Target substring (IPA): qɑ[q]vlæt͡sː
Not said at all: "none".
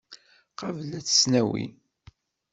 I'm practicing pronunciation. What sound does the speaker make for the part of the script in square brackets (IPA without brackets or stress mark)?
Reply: none